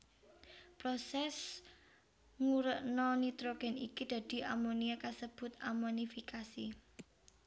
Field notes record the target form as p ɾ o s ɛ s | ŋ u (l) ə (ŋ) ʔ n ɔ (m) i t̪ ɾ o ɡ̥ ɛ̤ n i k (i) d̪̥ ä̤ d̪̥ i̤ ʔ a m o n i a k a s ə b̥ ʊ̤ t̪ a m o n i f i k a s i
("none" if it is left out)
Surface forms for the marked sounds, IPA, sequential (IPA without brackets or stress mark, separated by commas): ɾ, none, n, i